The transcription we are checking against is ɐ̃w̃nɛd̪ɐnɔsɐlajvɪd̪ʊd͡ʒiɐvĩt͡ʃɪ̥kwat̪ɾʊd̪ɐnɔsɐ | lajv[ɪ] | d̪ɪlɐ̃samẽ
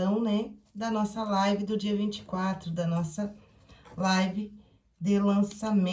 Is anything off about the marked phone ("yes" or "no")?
no